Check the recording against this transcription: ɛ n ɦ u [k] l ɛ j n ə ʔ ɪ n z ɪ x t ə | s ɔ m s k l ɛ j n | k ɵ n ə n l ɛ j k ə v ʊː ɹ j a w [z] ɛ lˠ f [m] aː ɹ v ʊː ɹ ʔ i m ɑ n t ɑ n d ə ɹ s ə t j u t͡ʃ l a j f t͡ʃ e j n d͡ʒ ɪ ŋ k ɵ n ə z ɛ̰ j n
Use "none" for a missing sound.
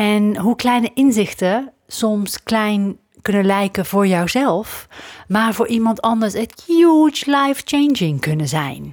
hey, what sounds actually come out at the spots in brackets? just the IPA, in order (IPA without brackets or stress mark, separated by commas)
k, z, m